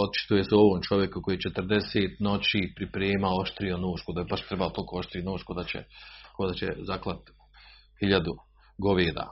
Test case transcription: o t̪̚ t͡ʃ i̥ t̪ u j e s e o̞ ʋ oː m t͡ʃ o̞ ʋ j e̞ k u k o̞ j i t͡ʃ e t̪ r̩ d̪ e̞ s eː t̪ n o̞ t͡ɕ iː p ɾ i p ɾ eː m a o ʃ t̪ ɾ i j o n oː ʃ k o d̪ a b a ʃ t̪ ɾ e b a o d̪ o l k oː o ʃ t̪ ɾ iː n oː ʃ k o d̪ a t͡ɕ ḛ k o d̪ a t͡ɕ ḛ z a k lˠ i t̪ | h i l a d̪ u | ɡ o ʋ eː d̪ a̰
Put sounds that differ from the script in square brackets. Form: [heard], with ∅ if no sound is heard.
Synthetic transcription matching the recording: o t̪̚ t͡ʃ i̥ t̪ u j e s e o̞ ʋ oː m t͡ʃ o̞ ʋ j e̞ k u k o̞ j i t͡ʃ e t̪ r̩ d̪ e̞ s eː t̪ n o̞ t͡ɕ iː p ɾ i p ɾ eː m a o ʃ t̪ ɾ i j o n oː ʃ k o d̪ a b a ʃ t̪ ɾ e b a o [t̪] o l k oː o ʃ t̪ ɾ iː n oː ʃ k o d̪ a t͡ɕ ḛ k o d̪ a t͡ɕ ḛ z a k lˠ [a] t̪ | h i [ʎ] a d̪ u | ɡ o ʋ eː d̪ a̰